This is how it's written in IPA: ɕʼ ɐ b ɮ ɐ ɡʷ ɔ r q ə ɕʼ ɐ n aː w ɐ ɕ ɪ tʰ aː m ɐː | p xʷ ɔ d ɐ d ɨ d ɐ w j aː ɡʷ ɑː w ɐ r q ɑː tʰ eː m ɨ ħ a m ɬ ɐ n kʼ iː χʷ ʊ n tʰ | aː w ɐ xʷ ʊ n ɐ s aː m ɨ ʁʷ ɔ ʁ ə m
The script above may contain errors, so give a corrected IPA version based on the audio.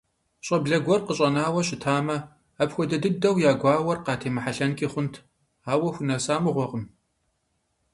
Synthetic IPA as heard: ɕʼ ɐ b ɮ ɐ ɡʷ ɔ r q ə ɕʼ ɐ n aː w ɐ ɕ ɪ tʰ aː m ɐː | p xʷ ɔ d ɐ d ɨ d ɐ w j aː ɡʷ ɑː w ɐ r q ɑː tʰ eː m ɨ ħ a ɬ ɐ n kʼ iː χʷ ʊ n tʰ | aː w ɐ xʷ ʊ n ɐ s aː m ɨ ʁʷ ɔ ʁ ə m